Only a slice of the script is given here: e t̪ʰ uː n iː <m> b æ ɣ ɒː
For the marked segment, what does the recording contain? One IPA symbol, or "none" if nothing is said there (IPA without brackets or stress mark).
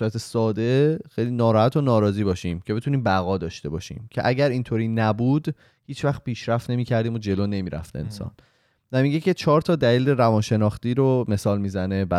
m